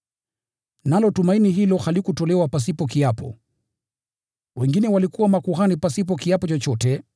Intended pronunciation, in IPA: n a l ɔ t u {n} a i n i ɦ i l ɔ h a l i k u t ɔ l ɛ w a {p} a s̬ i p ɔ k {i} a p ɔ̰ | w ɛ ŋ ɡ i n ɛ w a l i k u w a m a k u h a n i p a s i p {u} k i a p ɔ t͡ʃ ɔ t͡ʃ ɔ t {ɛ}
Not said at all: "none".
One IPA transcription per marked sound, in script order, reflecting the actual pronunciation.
m, p, i, ɔ, ɛ

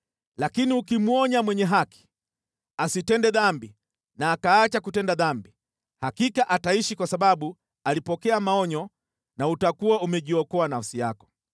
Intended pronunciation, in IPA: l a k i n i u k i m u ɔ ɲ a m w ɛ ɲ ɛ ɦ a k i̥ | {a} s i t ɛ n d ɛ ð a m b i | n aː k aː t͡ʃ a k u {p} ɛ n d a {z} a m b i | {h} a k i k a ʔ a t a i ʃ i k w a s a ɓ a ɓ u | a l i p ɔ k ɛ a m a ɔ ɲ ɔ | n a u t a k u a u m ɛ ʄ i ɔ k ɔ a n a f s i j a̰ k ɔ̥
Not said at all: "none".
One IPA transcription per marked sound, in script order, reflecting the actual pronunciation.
a, t, ð, h

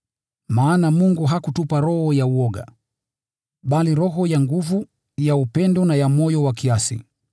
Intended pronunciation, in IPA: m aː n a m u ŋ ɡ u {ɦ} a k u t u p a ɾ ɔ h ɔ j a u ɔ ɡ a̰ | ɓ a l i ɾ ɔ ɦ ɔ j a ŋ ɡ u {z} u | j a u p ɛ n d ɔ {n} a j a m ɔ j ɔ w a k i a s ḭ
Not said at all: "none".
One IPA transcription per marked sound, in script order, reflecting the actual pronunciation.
ɦ, v, n

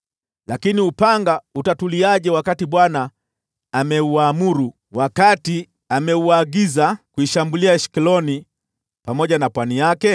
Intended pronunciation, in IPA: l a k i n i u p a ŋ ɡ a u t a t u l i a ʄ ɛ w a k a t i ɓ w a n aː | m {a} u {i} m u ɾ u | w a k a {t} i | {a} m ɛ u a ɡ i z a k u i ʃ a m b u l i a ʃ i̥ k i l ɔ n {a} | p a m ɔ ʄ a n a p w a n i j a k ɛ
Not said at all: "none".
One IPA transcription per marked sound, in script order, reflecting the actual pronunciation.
ɛ, a, t, a, i

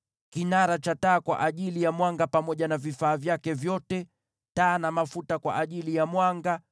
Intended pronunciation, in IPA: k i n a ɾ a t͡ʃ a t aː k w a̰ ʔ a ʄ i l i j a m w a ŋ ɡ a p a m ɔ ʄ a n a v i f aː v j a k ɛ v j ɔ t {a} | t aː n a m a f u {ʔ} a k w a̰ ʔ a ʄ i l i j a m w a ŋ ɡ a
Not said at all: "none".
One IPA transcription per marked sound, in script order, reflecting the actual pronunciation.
ɛ, t

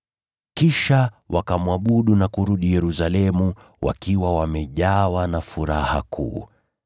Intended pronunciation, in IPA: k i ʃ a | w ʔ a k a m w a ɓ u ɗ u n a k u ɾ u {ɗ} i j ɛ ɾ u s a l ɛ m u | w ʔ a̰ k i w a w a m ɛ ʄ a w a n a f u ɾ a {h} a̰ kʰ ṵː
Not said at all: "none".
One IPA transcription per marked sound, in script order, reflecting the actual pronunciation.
ɗ, h

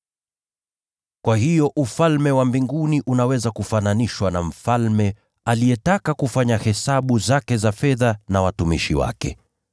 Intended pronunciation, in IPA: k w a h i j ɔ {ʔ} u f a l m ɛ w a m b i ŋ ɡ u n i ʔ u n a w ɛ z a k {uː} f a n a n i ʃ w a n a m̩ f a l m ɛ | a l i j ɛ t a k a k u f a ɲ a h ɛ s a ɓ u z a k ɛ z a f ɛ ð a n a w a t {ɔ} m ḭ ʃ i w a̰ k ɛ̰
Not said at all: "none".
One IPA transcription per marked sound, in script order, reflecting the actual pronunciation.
ʔ, u, u

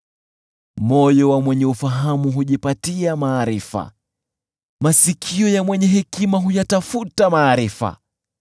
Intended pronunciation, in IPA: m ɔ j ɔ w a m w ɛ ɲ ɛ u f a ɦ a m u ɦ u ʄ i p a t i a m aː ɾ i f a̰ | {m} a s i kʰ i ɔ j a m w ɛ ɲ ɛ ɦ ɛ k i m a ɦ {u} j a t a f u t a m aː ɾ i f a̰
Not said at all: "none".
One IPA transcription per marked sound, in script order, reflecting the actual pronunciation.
m, u

